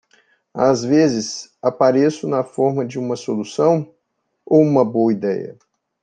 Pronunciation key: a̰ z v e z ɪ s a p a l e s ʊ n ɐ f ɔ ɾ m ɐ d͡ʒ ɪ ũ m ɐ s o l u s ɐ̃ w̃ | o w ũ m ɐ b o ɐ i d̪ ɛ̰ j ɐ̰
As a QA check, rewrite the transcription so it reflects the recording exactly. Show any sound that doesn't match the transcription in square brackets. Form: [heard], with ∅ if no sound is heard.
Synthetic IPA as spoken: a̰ z v e z ɪ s a p a [ɾ] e s ʊ n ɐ f ɔ ɾ m ɐ d͡ʒ ɪ ũ m ɐ s o l u s ɐ̃ w̃ | o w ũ m ɐ b o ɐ i d̪ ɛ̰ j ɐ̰